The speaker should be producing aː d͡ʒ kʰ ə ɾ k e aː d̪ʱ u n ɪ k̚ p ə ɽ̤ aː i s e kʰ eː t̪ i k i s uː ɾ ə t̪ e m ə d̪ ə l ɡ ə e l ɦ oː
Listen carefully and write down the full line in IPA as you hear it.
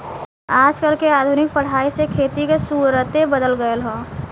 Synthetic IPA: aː d͡ʒ k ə ɾ k e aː d̪ʱ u n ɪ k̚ p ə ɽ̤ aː i s e kʰ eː t̪ i k e s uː ɾ ə t̪ e b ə d̪ ə l ɡ ə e l ɦ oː